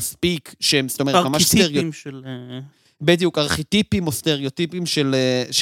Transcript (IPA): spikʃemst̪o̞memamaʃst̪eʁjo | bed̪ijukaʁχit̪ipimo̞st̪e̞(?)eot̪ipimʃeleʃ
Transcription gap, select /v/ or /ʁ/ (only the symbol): ʁ